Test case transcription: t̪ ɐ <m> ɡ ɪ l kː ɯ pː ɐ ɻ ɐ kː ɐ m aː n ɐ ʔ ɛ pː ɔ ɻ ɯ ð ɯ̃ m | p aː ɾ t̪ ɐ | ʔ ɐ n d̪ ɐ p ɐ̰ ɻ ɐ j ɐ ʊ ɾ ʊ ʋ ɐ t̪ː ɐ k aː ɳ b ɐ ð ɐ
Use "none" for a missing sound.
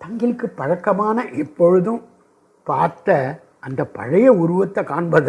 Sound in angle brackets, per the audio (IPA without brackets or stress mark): ŋ